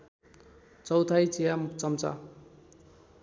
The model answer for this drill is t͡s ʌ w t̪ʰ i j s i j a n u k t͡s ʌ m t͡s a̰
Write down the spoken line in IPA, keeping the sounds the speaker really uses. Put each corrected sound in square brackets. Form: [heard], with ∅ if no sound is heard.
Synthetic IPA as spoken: t͡s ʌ w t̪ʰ [a] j [t͡s] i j a [m] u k t͡s ʌ m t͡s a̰

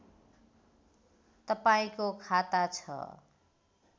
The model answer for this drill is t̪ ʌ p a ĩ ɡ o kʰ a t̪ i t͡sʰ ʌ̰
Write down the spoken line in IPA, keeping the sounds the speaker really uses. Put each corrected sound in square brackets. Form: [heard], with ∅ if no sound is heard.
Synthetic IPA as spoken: t̪ ʌ p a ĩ [k] o kʰ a t̪ [a] t͡sʰ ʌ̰

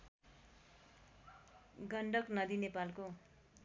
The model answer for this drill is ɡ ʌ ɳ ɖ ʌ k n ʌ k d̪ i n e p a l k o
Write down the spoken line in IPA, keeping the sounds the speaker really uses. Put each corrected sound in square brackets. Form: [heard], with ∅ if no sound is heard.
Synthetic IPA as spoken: ɡ ʌ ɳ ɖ ʌ k n ʌ [∅] d̪ i n e p a l k o

